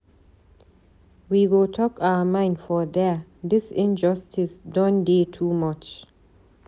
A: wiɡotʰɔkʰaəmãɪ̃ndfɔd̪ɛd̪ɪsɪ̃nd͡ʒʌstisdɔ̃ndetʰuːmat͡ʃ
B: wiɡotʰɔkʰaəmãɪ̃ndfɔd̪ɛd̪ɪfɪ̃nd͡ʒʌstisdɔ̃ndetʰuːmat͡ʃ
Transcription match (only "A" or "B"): A